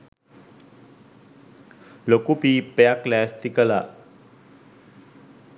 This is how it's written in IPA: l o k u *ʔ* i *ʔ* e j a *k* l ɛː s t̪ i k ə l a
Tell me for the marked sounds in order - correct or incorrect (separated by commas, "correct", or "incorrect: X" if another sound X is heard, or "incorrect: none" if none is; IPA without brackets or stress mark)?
incorrect: p, incorrect: p, correct